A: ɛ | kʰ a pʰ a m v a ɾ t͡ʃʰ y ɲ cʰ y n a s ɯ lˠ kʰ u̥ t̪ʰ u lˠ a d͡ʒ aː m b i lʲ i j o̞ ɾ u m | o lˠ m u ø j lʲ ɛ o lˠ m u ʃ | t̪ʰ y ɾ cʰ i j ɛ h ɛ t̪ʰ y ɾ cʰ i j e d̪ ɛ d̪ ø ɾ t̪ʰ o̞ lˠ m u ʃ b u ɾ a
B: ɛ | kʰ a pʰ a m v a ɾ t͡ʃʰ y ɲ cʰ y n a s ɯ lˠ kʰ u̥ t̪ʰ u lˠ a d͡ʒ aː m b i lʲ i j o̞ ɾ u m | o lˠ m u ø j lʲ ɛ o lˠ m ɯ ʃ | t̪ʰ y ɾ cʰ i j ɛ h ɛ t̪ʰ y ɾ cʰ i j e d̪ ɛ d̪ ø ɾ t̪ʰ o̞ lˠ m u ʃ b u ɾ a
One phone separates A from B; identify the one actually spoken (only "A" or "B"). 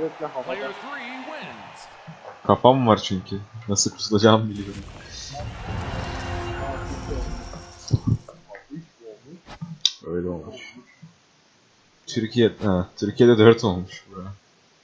A